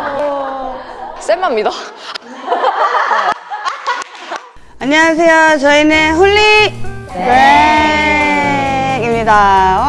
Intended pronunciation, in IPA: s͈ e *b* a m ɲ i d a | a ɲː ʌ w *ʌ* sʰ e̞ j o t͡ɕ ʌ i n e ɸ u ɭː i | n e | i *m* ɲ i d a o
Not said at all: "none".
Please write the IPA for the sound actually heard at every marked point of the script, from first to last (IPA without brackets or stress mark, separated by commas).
m, a, m